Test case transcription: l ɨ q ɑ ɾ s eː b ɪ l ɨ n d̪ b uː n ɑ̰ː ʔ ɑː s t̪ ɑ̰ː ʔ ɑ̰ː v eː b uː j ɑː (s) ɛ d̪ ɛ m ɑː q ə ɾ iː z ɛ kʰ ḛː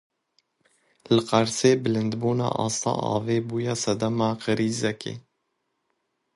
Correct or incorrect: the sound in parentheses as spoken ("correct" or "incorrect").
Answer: correct